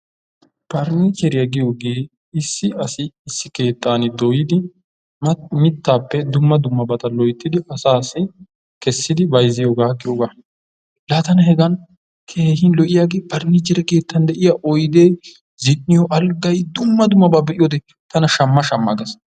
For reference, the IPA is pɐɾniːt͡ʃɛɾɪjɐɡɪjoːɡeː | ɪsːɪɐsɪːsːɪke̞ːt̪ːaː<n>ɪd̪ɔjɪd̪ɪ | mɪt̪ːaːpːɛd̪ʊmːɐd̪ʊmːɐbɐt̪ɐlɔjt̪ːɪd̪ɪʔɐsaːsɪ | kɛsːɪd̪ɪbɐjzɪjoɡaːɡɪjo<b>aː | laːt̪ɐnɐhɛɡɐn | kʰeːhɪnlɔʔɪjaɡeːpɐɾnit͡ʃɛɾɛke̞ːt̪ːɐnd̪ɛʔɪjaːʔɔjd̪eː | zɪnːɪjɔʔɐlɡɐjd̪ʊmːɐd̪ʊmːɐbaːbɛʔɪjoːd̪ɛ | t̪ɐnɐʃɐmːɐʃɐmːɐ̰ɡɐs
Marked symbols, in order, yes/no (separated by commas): yes, no